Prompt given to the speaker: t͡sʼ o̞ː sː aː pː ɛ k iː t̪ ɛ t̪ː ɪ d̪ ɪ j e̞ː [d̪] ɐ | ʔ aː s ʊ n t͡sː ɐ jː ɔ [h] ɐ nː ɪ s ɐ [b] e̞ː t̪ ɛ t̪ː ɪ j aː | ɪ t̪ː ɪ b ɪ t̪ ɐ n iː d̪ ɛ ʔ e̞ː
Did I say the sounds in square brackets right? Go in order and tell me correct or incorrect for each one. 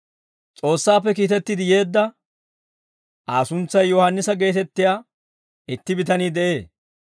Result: incorrect: d̪ː, correct, incorrect: ɡ

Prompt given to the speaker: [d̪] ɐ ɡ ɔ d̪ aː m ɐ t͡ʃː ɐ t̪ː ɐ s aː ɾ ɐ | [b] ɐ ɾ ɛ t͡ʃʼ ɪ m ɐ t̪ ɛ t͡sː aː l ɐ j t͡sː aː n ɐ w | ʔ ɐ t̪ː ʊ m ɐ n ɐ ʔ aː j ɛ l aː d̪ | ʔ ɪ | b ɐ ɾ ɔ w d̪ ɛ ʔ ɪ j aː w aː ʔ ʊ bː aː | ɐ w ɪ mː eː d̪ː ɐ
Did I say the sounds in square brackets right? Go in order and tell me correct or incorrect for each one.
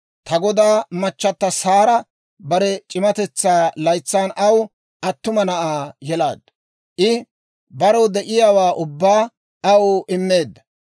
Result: incorrect: t̪, correct

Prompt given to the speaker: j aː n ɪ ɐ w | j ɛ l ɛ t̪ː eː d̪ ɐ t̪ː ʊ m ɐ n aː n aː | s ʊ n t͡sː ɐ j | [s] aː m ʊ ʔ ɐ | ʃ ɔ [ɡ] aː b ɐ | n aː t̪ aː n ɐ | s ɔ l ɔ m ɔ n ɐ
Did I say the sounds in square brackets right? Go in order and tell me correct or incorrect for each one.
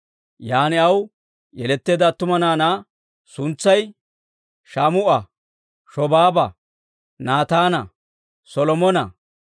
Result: incorrect: ʃ, incorrect: b

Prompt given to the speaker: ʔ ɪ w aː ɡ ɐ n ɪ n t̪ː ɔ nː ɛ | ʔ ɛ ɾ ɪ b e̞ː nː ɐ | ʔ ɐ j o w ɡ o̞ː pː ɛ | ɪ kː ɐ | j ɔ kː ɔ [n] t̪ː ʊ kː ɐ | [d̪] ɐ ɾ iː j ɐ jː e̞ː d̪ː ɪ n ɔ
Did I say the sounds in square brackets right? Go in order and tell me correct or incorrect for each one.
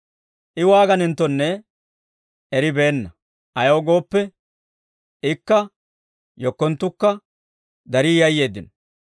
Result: correct, correct

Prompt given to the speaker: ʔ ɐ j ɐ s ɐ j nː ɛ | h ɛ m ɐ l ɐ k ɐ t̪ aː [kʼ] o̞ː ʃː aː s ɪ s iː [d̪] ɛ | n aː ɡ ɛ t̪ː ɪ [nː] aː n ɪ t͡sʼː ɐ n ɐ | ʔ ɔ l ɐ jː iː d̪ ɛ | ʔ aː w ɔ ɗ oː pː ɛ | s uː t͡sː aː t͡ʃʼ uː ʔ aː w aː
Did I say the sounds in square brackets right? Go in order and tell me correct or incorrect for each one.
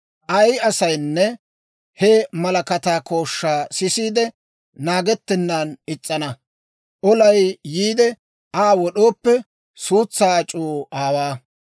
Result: incorrect: k, correct, correct

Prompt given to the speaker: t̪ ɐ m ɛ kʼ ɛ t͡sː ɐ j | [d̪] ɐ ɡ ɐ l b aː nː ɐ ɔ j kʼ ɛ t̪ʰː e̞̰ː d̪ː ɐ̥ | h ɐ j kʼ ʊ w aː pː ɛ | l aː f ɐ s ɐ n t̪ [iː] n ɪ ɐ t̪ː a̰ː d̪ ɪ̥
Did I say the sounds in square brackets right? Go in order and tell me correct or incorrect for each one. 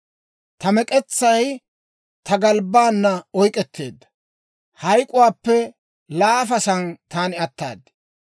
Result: incorrect: t̪, incorrect: aː

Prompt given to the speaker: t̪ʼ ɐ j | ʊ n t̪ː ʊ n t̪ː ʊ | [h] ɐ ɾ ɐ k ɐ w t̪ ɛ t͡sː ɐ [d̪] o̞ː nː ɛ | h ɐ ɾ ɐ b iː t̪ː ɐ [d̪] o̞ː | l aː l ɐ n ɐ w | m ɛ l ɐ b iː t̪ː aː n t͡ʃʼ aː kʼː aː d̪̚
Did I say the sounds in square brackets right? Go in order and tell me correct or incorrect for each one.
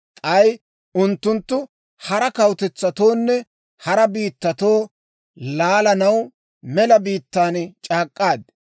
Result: correct, incorrect: t̪, incorrect: t̪

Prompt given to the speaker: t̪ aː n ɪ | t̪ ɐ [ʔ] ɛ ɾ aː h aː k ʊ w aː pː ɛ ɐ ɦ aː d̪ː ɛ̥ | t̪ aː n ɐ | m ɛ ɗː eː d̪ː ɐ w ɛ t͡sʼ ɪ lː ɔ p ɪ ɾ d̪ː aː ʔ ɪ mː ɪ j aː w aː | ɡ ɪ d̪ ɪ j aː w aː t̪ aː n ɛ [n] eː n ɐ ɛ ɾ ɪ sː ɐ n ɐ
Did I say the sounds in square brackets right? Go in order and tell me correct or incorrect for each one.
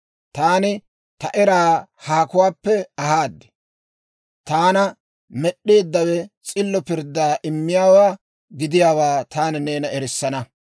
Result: correct, correct

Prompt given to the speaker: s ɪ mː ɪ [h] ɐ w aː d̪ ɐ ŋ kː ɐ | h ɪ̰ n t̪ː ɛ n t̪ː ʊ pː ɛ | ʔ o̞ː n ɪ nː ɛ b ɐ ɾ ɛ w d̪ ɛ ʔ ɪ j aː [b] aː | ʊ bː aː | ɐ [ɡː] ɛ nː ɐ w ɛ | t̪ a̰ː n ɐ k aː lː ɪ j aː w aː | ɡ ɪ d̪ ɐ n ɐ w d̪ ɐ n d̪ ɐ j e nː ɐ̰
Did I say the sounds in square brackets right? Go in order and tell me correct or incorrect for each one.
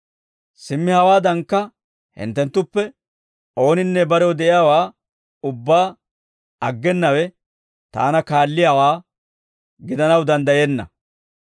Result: correct, incorrect: w, correct

